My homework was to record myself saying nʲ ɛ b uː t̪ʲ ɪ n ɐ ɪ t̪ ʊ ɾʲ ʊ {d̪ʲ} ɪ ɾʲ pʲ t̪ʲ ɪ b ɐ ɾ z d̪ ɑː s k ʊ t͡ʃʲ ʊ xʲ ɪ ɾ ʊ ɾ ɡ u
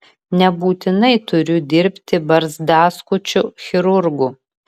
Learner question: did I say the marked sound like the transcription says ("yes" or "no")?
yes